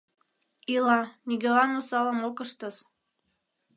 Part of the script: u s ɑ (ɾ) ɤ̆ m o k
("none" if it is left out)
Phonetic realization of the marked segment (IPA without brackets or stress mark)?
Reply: l